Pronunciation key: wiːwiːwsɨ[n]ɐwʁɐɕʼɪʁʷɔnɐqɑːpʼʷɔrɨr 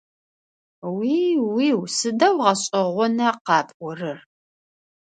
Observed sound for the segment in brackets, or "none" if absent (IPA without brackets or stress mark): d